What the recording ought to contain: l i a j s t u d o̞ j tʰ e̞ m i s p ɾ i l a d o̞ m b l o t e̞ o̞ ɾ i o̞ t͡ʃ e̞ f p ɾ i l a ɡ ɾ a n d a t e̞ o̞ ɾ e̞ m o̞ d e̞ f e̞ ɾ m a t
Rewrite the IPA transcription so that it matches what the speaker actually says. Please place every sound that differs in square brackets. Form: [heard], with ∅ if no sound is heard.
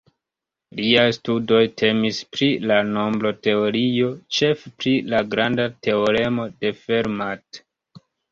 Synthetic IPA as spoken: l i a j s t u d o̞ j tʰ e̞ m i s p ɾ i l a [n] o̞ m b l o t e̞ o̞ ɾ i o̞ t͡ʃ e̞ f p ɾ i l a ɡ ɾ a n d a t e̞ o̞ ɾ e̞ m o̞ d e̞ f e̞ ɾ m a t